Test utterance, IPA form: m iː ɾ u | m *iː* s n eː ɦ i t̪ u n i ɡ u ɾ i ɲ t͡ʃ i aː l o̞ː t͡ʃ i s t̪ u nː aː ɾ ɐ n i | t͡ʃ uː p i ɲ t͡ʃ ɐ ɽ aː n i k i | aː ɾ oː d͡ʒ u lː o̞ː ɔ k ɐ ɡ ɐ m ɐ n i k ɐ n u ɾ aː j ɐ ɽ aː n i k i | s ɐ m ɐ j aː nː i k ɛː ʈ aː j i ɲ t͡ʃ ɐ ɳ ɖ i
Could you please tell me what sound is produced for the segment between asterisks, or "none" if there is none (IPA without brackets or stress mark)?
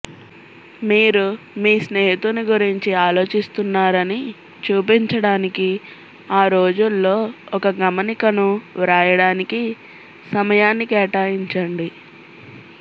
iː